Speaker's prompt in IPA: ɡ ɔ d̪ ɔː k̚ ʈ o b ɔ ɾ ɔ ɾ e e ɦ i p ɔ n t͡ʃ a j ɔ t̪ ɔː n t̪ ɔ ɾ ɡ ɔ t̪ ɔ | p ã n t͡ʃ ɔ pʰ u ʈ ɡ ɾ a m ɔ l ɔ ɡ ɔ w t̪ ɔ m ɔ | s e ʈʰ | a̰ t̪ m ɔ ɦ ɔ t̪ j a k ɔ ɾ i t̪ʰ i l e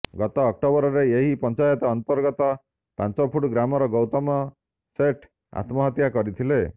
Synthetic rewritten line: ɡ ɔ t̪ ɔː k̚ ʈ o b ɔ ɾ ɔ ɾ e e ɦ i p ɔ n t͡ʃ a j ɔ t̪ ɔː n t̪ ɔ ɾ ɡ ɔ t̪ ɔ | p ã n t͡ʃ ɔ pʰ u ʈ ɡ ɾ a m ɔ ɾ ɔ ɡ ɔ w t̪ ɔ m ɔ | s e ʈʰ | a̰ t̪ m ɔ ɦ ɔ t̪ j a k ɔ ɾ i t̪ʰ i l e

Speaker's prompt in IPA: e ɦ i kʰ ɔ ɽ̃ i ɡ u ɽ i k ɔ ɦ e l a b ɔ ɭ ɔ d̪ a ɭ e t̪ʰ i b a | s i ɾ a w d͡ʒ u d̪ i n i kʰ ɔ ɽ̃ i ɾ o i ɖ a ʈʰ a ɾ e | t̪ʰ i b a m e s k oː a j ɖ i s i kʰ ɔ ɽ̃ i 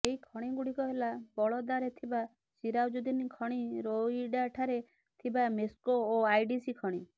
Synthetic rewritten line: e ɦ i kʰ ɔ ɽ̃ i ɡ u ɽ i k ɔ ɦ e l a b ɔ ɭ ɔ d̪ a ɾ e t̪ʰ i b a | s i ɾ a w d͡ʒ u d̪ i n i kʰ ɔ ɽ̃ i ɾ o i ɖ a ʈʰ a ɾ e | t̪ʰ i b a m e s k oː a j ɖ i s i kʰ ɔ ɽ̃ i

